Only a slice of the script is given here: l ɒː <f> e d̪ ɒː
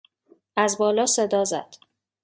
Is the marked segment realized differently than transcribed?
yes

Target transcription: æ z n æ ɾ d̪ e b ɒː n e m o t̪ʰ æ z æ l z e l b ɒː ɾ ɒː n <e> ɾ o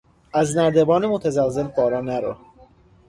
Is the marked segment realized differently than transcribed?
yes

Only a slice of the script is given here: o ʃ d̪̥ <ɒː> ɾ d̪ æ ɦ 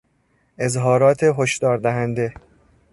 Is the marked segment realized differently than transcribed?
no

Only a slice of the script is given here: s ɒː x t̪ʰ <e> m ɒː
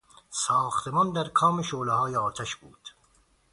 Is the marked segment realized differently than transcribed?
no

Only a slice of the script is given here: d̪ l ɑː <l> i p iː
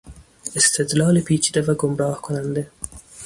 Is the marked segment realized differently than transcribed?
no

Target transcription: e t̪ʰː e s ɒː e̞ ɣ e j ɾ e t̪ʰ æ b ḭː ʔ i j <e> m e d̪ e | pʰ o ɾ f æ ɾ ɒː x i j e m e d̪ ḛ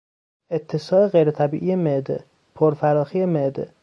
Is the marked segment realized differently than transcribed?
no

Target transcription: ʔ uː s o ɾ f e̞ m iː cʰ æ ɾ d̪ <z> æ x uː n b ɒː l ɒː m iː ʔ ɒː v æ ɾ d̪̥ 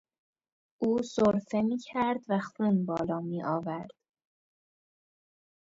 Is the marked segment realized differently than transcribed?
yes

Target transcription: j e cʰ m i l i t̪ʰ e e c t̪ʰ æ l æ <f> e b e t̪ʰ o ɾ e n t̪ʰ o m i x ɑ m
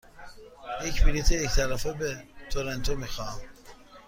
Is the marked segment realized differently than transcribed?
no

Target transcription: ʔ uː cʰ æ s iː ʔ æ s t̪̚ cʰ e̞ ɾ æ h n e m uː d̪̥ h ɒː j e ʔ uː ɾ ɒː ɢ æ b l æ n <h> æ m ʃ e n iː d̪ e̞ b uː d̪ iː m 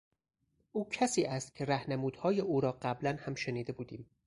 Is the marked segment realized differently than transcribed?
no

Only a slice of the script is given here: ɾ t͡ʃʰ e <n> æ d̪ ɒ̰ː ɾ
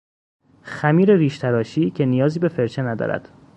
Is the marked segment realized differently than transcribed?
no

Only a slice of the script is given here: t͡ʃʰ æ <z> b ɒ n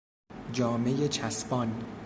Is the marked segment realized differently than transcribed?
yes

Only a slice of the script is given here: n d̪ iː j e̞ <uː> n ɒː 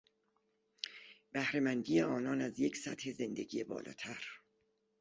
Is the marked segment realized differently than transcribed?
yes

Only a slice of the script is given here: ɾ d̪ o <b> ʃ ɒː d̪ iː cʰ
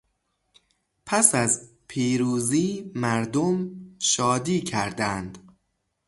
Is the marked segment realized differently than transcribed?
yes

